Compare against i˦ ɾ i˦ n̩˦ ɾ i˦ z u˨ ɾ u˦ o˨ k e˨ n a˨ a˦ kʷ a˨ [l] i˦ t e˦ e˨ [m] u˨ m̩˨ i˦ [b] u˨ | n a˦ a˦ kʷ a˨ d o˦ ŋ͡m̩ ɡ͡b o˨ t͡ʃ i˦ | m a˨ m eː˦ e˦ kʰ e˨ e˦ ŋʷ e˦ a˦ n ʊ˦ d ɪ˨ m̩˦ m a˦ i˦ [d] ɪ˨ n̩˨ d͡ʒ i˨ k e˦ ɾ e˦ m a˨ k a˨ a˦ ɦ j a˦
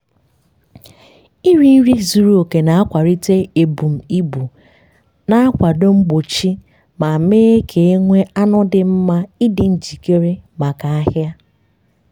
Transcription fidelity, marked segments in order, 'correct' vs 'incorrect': incorrect, incorrect, correct, correct

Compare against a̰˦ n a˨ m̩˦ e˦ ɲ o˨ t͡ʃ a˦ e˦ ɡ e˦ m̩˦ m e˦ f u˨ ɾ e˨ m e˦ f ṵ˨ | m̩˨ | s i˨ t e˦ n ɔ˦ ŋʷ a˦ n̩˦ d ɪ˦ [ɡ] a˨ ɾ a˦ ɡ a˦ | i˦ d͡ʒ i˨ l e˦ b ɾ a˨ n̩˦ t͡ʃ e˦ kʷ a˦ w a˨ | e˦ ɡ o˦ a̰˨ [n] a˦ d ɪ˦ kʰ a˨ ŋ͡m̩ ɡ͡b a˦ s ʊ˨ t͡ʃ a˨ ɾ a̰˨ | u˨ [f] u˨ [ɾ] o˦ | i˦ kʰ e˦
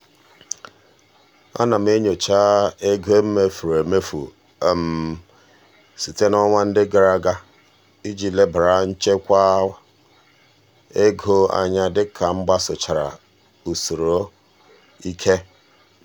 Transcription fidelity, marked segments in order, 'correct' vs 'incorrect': correct, incorrect, incorrect, correct

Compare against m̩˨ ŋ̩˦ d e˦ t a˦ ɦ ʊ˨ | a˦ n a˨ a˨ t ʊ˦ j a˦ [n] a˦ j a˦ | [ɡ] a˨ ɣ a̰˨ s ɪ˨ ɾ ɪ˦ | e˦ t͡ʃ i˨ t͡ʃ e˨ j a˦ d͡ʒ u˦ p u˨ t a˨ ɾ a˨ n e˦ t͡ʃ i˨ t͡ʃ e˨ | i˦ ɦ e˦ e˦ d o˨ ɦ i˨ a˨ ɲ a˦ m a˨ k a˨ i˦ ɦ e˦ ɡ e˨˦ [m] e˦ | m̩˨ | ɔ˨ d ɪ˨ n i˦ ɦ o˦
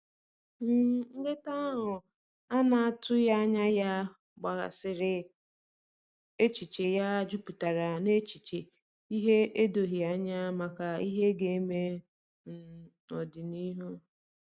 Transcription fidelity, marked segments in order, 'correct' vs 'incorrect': incorrect, incorrect, correct

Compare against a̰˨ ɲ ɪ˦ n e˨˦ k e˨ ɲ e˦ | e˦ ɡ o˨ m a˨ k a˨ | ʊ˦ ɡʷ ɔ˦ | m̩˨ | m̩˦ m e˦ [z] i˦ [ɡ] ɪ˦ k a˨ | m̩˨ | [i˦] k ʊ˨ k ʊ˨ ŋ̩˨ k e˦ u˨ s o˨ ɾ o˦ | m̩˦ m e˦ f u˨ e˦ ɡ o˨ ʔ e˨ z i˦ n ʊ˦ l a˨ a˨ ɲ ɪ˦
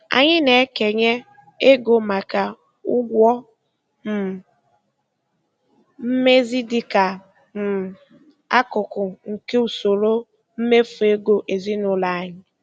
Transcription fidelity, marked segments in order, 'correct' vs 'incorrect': correct, incorrect, incorrect

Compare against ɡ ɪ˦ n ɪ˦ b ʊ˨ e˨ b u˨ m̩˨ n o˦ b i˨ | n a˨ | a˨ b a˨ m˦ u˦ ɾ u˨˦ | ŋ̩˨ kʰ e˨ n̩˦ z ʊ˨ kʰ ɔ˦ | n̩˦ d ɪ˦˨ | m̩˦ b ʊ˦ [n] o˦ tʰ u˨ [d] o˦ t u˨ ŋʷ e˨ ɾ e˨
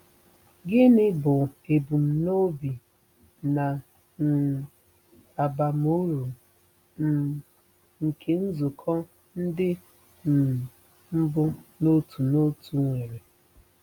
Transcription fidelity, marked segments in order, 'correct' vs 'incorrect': correct, incorrect

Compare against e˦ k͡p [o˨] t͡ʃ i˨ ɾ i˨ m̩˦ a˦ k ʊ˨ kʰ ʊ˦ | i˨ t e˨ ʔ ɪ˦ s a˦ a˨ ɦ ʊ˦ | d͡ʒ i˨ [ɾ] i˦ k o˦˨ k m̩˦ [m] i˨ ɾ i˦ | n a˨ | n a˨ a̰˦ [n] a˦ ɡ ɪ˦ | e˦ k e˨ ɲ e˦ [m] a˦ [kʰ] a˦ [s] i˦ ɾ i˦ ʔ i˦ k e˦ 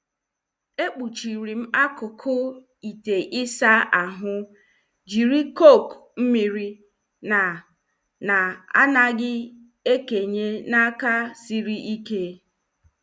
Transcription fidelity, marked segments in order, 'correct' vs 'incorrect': incorrect, correct, correct, correct, incorrect, incorrect, correct

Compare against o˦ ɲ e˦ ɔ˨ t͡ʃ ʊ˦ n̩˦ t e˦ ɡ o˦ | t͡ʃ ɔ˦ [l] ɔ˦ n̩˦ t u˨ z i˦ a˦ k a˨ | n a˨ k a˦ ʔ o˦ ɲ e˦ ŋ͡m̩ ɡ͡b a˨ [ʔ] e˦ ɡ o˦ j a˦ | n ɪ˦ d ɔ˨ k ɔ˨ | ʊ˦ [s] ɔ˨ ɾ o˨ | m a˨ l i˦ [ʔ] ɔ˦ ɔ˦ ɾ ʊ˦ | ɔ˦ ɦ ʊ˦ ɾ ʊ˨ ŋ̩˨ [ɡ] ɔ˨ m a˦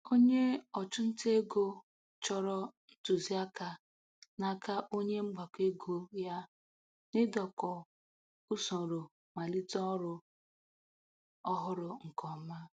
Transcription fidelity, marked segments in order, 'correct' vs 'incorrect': incorrect, incorrect, correct, incorrect, incorrect

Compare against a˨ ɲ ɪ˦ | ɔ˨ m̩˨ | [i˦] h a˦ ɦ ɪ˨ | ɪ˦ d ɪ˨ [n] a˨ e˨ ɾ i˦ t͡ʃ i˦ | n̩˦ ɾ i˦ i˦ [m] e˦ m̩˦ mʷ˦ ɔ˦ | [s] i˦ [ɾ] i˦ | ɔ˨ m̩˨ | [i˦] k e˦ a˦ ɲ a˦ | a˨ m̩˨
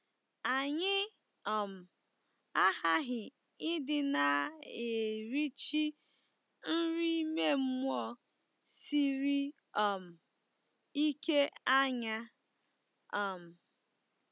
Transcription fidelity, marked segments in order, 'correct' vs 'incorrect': incorrect, correct, correct, correct, correct, correct

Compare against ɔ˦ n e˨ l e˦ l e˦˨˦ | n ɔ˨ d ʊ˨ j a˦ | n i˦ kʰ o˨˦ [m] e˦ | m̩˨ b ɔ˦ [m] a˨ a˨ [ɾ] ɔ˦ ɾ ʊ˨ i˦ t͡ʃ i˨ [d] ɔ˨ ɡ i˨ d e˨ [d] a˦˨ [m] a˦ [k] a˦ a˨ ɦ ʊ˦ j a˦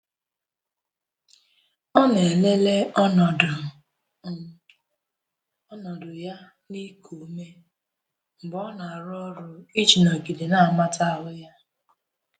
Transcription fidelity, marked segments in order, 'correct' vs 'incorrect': correct, incorrect, correct, incorrect, incorrect, correct, incorrect

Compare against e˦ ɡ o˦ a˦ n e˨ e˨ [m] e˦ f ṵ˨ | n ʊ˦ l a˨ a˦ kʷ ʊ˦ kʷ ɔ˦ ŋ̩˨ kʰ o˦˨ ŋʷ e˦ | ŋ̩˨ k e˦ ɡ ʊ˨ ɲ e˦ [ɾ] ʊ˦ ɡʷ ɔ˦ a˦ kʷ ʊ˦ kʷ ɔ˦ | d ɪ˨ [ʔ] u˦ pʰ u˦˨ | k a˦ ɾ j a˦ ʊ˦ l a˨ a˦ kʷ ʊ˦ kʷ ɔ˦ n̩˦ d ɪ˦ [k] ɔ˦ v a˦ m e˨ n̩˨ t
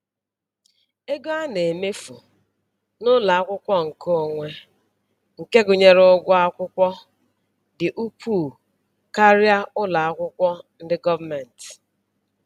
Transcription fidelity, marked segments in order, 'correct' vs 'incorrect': correct, correct, correct, incorrect

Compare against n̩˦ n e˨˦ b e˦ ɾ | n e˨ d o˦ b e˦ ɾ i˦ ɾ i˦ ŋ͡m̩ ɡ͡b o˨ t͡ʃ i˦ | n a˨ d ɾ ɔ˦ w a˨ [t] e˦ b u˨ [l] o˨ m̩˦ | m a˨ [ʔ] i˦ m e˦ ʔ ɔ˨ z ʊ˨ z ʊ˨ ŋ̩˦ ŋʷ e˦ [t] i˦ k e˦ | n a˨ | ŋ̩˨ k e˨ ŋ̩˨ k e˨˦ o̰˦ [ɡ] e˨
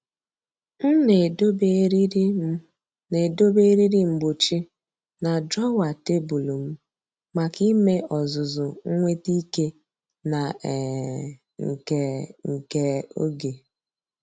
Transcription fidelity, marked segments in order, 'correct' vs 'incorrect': correct, correct, incorrect, correct, correct

